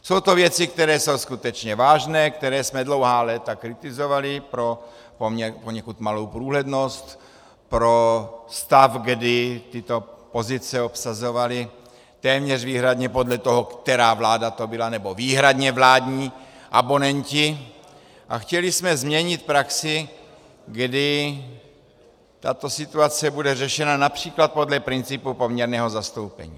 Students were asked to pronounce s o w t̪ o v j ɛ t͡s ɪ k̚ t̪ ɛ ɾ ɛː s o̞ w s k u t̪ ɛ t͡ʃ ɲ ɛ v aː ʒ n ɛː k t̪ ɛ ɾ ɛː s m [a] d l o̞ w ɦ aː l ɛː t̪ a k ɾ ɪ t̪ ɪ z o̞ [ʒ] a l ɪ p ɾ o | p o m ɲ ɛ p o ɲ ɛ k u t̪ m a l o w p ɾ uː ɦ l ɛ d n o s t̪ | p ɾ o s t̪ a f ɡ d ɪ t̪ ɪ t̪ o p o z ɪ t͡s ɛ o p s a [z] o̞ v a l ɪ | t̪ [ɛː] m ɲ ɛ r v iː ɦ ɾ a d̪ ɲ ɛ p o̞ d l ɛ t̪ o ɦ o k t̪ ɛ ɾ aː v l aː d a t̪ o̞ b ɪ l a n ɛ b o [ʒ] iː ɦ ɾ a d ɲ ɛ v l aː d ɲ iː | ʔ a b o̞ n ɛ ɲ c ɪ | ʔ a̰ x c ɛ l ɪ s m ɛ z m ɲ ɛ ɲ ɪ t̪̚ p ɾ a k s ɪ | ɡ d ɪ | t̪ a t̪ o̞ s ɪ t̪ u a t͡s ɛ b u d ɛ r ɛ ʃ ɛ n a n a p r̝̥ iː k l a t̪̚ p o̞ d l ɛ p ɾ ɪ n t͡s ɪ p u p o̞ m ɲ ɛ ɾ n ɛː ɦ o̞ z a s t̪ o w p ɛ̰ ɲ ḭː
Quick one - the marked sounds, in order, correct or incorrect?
incorrect, incorrect, correct, correct, incorrect

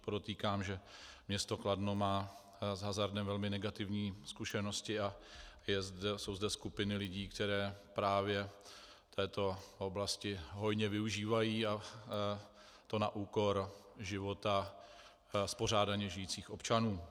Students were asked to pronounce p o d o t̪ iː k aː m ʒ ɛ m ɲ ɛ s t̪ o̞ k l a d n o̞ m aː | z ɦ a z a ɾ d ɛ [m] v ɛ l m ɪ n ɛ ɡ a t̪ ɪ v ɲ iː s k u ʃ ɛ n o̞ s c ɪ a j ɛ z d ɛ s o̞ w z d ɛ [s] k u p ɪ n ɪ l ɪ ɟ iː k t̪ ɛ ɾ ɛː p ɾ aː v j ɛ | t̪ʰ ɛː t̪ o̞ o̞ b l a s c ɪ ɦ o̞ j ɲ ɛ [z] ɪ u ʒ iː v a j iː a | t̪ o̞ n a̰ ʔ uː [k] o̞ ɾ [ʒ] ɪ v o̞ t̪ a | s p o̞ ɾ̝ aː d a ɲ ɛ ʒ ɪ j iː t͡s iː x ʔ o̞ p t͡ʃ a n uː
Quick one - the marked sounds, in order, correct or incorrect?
correct, correct, incorrect, correct, correct

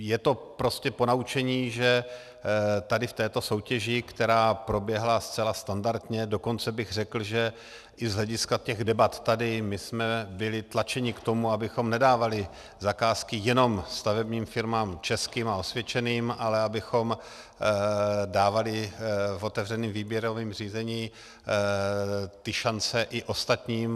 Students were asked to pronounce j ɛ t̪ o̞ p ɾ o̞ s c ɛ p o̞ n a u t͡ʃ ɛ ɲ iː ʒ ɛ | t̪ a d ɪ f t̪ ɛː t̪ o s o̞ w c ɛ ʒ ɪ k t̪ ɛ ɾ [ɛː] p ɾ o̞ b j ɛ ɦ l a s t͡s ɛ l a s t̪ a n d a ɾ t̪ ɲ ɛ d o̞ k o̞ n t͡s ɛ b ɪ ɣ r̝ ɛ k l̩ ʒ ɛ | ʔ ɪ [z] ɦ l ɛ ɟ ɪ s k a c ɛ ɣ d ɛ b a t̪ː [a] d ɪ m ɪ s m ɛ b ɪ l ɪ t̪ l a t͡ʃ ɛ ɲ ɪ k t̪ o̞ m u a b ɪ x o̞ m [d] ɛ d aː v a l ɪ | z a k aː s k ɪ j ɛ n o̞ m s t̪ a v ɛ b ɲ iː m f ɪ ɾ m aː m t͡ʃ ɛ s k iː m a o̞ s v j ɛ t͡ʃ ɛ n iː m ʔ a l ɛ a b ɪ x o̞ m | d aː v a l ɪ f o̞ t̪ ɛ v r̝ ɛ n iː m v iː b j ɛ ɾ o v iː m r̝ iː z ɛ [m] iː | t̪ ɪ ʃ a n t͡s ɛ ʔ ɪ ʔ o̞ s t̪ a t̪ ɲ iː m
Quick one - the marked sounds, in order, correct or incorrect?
incorrect, correct, correct, incorrect, incorrect

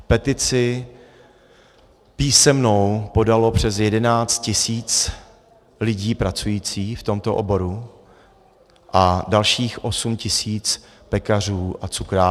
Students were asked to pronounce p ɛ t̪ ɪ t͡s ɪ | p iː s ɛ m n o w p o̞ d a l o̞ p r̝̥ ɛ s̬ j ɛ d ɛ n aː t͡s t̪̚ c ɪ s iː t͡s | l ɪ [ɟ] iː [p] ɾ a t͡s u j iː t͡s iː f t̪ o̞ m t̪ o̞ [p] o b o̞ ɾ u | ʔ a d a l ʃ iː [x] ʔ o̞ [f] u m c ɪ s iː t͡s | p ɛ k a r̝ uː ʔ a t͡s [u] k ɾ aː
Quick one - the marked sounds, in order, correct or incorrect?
correct, correct, incorrect, correct, incorrect, correct

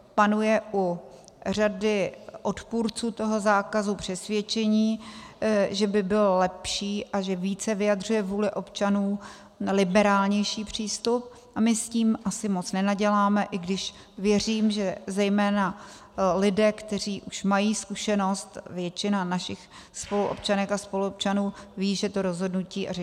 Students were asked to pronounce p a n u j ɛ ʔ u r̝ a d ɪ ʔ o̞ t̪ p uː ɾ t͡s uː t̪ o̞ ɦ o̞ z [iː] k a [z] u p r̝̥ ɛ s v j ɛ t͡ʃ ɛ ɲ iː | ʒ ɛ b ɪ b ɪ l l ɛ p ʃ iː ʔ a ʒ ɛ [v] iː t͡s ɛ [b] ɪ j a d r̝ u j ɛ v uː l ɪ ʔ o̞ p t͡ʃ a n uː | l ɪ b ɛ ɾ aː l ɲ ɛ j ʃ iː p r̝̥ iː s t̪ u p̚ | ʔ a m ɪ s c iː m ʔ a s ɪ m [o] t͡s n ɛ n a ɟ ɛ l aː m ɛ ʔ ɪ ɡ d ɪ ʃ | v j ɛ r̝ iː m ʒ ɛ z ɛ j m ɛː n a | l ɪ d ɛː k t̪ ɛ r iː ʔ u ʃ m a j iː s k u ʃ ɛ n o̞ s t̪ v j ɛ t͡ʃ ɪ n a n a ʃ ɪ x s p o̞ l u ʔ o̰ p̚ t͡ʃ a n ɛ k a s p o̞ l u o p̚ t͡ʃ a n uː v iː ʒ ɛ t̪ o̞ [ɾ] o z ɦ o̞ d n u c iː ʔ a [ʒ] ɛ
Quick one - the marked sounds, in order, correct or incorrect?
incorrect, correct, correct, incorrect, correct, correct, correct

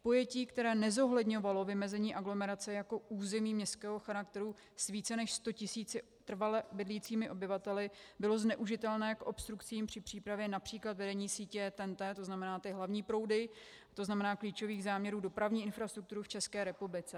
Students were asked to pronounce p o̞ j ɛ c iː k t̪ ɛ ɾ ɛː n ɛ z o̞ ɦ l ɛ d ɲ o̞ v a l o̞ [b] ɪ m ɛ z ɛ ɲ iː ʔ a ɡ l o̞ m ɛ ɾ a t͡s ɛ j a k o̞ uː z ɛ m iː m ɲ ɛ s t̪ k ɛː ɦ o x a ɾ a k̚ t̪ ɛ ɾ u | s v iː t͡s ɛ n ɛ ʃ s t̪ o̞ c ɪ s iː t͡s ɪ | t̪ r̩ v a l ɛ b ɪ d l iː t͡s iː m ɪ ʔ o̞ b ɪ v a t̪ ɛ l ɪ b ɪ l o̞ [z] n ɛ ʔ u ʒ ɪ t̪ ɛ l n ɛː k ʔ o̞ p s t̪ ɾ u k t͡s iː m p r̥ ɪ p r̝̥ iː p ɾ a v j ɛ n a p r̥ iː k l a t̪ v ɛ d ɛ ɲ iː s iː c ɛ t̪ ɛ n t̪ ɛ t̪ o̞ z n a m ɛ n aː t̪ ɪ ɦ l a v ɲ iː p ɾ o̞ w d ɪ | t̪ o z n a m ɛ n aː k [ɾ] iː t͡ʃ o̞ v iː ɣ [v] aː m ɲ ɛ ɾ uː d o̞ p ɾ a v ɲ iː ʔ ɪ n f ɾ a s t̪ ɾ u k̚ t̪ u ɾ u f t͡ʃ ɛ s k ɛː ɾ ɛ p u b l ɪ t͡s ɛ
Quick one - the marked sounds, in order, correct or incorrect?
incorrect, correct, incorrect, incorrect

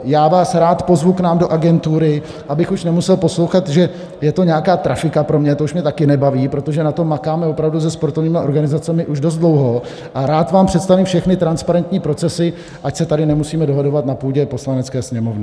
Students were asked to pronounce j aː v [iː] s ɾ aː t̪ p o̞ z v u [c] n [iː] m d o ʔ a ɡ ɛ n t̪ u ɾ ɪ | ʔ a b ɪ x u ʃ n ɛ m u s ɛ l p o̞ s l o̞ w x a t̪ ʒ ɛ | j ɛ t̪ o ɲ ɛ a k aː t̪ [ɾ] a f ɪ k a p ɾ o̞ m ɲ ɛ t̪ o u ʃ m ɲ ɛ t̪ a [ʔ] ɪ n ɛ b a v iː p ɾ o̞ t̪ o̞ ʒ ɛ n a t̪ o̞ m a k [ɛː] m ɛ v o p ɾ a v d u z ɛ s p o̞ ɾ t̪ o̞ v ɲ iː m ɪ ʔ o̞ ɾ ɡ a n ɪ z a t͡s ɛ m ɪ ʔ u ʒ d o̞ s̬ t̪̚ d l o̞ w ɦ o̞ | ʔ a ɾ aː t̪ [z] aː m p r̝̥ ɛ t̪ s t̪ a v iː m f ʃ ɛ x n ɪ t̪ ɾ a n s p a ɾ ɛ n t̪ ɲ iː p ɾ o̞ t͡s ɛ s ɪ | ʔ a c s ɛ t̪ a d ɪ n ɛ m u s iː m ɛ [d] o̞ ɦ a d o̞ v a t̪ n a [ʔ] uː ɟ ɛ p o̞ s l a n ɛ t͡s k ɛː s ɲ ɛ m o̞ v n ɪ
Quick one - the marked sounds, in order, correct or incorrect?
incorrect, incorrect, incorrect, correct, incorrect, incorrect, incorrect, correct, incorrect

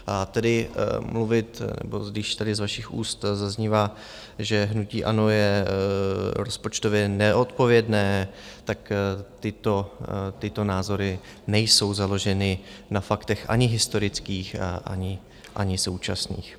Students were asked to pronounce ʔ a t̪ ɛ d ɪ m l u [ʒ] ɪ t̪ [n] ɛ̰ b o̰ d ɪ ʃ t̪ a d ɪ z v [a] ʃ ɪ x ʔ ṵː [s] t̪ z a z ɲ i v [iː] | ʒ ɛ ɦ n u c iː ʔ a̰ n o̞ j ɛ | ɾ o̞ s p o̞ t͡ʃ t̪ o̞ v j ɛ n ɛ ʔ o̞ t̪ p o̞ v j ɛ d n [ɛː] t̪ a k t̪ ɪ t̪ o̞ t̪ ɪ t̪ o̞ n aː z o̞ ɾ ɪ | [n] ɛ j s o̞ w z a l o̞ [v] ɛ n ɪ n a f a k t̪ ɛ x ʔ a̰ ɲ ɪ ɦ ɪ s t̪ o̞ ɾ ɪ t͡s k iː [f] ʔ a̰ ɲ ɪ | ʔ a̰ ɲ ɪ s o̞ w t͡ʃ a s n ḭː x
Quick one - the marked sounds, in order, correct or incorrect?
incorrect, correct, correct, correct, incorrect, correct, correct, incorrect, incorrect

